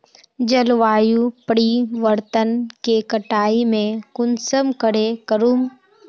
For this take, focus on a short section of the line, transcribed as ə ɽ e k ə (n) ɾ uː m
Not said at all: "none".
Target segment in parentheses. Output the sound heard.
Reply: none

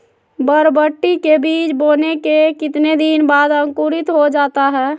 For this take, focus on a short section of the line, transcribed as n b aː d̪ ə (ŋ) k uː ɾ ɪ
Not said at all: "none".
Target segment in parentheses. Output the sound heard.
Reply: ŋ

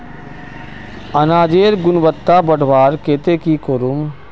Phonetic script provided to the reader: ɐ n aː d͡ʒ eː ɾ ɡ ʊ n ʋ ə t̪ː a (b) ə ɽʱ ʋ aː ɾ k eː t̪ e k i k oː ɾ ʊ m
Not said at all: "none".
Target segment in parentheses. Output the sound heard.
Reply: b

